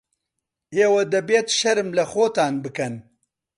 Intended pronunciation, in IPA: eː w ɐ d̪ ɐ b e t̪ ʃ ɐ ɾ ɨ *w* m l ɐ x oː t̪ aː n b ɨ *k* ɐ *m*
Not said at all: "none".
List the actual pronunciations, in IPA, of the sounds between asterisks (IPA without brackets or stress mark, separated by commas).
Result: none, k, n